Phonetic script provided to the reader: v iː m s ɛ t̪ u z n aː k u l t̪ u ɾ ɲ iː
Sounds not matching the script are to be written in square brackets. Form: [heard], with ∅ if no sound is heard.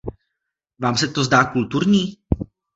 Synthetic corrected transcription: v [aː] m s ɛ t̪ [o] z [d] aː k u l t̪ u ɾ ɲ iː